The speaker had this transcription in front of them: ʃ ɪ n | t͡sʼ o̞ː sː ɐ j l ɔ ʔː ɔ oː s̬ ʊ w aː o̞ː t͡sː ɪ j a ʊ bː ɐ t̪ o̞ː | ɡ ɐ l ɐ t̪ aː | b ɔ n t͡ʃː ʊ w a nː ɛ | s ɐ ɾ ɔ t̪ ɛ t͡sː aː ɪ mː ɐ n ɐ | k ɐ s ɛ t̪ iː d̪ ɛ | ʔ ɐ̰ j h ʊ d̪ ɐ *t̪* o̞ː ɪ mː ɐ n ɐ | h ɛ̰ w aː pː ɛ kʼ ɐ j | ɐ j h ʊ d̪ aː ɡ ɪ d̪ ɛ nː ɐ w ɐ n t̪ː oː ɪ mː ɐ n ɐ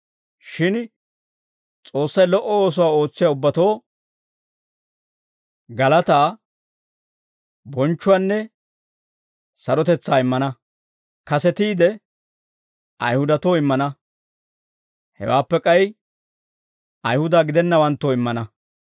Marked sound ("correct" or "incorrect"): correct